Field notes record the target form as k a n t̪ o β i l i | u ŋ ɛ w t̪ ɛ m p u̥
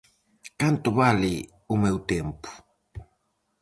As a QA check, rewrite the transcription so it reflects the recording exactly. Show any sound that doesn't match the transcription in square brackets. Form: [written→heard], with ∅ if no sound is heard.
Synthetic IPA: k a n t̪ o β [i→a] l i | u [ŋ→m] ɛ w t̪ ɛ m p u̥